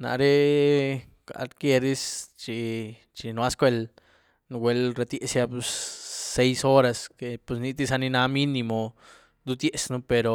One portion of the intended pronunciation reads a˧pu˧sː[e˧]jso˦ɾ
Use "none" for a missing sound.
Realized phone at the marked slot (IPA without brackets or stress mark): e˧